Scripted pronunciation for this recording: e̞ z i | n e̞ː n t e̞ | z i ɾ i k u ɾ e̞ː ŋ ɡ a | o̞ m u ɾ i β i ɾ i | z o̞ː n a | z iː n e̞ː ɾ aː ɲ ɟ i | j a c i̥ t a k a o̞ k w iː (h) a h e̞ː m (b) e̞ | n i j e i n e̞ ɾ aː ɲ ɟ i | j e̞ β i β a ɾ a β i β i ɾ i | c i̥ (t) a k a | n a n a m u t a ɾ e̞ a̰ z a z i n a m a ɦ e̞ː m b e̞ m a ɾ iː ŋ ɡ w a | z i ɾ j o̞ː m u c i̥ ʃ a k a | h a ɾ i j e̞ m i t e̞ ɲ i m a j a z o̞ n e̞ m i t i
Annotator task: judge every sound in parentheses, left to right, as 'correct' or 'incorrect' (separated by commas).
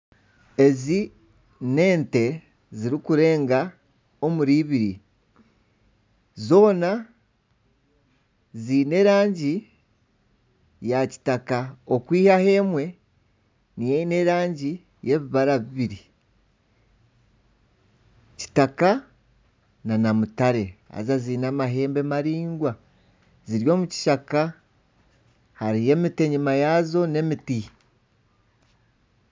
correct, incorrect, correct